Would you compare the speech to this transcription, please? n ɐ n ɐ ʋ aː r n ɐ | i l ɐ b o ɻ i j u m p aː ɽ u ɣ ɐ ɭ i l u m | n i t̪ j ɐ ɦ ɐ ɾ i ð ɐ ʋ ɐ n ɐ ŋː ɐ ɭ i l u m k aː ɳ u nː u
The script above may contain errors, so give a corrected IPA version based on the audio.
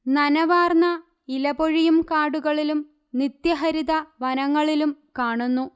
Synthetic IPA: n ɐ n ɐ ʋ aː r n ɐ | i l ɐ b o ɻ i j u m k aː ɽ u ɣ ɐ ɭ i l u m | n i t̪ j ɐ ɦ ɐ ɾ i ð ɐ ʋ ɐ n ɐ ŋː ɐ ɭ i l u m k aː ɳ u nː u